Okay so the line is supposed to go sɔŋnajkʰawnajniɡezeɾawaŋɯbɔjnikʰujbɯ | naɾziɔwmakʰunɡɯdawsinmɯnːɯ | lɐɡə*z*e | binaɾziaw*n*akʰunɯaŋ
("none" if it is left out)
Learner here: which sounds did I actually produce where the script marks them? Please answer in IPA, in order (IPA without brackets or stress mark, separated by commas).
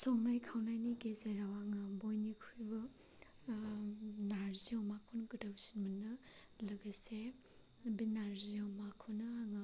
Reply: s, m